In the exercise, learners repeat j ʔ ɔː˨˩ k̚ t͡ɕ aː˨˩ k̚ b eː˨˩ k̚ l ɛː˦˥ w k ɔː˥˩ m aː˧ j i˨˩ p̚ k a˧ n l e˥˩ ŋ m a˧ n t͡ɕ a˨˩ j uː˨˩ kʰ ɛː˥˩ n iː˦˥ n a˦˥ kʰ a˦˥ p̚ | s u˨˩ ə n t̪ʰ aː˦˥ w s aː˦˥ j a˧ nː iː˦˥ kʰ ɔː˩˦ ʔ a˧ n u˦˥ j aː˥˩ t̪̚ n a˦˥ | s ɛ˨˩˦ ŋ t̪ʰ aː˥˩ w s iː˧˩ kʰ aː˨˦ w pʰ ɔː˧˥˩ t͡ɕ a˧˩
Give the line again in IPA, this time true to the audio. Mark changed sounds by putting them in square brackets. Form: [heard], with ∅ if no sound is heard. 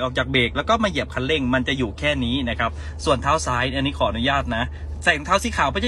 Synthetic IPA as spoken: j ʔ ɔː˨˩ k̚ t͡ɕ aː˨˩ k̚ b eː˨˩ k̚ l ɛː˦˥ w k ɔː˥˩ m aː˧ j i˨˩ p̚ [kʰ] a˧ n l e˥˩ ŋ m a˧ n t͡ɕ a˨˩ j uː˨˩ kʰ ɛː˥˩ n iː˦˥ n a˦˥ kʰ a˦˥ p̚ | s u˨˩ ə n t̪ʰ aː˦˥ w s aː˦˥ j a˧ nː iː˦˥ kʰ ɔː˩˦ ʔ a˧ n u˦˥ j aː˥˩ t̪̚ n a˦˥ | s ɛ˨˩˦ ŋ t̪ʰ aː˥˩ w s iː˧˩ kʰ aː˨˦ w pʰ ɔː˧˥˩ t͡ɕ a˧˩